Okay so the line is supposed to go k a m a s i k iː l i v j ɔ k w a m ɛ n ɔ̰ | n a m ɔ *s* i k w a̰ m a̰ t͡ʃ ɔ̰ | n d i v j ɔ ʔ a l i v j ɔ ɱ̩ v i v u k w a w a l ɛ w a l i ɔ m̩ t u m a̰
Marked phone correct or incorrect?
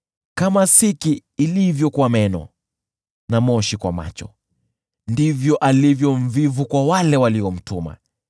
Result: incorrect